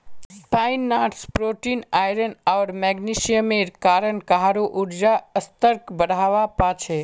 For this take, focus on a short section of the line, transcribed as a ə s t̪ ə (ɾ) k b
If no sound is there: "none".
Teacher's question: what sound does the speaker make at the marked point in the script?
ɾ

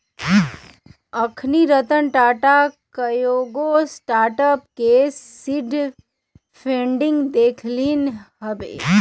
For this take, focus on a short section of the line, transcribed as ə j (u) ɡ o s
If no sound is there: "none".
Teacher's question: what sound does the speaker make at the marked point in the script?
o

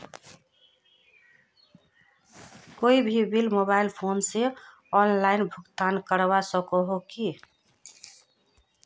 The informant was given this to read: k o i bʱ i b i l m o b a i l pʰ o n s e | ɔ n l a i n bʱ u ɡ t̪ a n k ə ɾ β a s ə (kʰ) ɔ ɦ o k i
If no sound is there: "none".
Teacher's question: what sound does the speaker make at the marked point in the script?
k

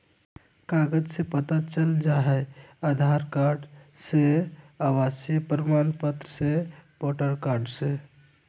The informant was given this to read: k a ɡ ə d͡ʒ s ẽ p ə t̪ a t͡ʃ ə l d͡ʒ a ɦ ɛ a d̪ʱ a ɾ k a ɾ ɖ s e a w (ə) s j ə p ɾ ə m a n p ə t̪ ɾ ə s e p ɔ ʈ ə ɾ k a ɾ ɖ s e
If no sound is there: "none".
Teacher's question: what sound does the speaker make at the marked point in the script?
a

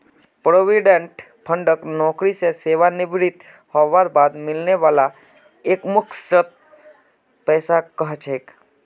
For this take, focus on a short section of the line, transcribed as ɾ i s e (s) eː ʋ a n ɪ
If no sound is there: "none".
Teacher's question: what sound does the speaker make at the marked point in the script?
s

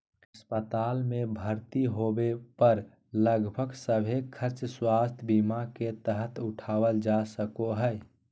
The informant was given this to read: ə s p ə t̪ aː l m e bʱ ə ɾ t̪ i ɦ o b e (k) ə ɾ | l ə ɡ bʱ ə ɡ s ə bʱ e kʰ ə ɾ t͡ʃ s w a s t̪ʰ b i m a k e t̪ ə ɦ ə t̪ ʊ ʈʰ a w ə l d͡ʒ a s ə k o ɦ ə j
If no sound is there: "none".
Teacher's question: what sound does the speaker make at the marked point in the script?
p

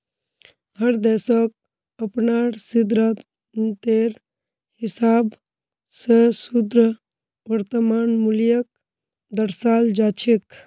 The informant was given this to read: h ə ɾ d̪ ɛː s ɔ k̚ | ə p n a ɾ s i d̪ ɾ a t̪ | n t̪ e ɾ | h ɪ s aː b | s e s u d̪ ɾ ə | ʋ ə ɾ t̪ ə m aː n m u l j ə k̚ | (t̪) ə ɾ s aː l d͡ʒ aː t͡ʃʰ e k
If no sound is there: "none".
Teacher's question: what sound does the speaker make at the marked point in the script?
d̪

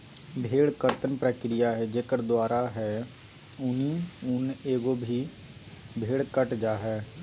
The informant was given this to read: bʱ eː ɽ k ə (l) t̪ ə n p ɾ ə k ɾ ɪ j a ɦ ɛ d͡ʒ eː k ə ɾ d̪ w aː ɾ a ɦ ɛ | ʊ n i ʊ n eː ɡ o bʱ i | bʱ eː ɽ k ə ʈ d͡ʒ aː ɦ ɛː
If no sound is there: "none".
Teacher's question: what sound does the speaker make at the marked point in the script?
ɾ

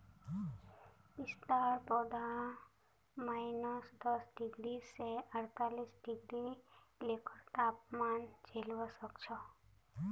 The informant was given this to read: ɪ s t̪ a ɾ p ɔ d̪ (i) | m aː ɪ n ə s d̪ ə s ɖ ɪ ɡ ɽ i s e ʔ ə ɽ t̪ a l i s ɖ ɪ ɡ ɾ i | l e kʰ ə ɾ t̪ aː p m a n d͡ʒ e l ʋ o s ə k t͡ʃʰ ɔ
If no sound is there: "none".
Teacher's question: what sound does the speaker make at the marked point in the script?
a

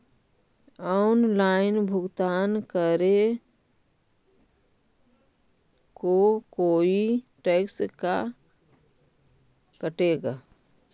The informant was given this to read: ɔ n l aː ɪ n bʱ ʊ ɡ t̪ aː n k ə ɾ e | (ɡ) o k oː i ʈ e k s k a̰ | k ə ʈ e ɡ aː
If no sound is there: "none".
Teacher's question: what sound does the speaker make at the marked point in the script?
k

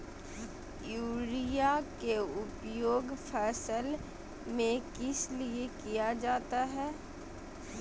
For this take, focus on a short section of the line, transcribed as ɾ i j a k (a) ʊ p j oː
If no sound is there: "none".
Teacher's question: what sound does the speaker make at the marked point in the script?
e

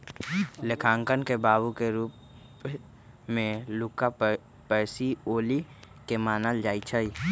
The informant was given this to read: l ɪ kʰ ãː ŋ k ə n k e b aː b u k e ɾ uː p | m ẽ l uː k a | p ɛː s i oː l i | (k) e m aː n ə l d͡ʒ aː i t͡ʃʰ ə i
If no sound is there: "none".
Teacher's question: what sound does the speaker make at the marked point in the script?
k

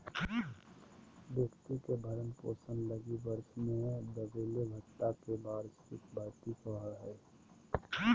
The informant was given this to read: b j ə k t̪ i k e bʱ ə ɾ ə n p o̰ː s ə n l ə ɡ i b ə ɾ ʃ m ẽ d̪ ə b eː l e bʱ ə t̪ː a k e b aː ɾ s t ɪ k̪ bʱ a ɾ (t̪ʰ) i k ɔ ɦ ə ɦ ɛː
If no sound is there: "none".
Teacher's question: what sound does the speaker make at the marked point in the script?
t̪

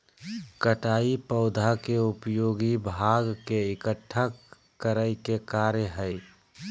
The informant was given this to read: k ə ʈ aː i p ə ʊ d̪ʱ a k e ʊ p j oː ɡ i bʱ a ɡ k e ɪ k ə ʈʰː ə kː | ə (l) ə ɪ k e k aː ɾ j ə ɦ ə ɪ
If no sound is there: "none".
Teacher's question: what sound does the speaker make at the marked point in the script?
ɾ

